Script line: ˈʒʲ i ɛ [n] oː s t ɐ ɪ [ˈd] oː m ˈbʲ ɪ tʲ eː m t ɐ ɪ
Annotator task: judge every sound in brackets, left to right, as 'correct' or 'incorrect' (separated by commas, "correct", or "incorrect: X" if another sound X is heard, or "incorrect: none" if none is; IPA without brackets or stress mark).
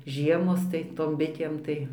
incorrect: m, incorrect: t